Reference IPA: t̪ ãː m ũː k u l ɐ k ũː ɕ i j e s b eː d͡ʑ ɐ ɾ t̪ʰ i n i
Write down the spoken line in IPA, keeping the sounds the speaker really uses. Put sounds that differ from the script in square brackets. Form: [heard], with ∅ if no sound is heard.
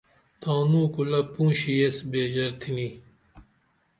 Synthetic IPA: t̪ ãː [n] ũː k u l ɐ [p] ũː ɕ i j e s b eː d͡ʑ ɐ ɾ t̪ʰ i n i